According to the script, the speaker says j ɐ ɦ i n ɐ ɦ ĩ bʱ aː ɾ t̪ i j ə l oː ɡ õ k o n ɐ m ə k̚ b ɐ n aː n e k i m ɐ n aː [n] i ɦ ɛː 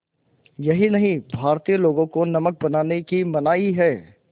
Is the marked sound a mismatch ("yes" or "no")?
yes